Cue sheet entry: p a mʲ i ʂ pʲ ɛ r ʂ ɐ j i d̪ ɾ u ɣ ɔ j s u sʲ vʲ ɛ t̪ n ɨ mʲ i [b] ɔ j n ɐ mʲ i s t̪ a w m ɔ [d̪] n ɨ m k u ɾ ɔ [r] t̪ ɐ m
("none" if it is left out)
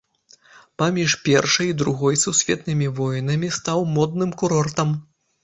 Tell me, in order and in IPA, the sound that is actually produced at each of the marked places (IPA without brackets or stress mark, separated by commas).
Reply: v, d̪, r